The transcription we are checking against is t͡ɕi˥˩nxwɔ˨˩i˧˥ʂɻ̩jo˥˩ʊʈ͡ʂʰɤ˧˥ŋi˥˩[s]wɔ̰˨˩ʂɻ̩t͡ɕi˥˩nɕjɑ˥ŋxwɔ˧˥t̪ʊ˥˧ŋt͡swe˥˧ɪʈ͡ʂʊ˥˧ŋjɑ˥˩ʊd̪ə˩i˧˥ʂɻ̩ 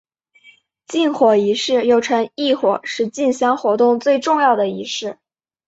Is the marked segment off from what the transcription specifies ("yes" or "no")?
yes